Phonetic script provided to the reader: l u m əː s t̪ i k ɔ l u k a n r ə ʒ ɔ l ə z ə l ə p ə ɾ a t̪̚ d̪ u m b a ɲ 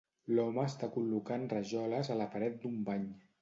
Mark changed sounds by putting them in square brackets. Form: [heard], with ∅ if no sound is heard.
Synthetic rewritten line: l [ɔ] m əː s t̪ [a] k [u] l u k a n r ə ʒ ɔ l ə z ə l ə p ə ɾ [ɛ] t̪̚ d̪ u m b a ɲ